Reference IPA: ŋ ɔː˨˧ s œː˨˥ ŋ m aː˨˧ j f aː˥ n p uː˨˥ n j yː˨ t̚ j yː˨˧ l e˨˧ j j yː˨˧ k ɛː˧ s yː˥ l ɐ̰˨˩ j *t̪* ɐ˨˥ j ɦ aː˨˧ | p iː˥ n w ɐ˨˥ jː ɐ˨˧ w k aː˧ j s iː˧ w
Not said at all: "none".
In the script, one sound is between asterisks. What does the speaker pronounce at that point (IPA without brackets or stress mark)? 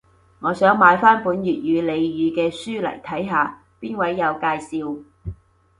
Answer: t̪ʰ